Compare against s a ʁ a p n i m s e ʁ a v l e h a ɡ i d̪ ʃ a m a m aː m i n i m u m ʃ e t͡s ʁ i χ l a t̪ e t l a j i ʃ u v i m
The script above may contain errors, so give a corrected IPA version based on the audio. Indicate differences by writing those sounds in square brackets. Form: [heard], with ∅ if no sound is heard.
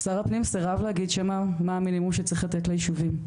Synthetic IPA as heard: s a ʁ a p n i m s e ʁ a v l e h a ɡ i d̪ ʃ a m a m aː m i n i m u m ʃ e t͡s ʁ i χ l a t̪ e t l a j i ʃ u v i m